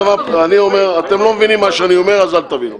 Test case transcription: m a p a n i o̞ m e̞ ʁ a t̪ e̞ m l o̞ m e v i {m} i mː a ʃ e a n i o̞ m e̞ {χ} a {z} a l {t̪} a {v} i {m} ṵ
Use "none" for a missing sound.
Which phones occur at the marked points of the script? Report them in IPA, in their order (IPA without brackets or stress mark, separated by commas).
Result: n, ʁ, z, t̪, v, n